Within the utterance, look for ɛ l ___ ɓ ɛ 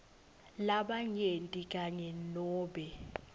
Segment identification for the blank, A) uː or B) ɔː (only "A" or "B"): B